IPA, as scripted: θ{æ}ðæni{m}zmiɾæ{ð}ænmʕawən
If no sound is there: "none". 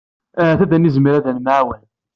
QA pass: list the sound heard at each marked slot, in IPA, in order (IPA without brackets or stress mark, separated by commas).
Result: æ, none, ð